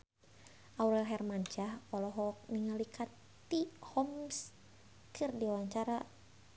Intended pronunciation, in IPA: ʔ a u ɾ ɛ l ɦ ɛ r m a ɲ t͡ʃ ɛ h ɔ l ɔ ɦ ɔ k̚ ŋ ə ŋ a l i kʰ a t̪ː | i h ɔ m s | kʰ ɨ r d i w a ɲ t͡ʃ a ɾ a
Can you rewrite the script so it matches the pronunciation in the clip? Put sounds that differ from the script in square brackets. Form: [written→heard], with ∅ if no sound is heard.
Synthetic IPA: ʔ a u ɾ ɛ l ɦ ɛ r m a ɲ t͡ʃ [ɛ→a] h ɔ l ɔ ɦ ɔ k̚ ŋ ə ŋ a l i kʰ a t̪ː | i h ɔ m s | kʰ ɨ r d i w a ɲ t͡ʃ a ɾ a